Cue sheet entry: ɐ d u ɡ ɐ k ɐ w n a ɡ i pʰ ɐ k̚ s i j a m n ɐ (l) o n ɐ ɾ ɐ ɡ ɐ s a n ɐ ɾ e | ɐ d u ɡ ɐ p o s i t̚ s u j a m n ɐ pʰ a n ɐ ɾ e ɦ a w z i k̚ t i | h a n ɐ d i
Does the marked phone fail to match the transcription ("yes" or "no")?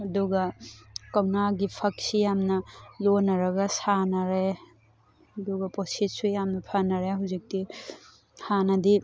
no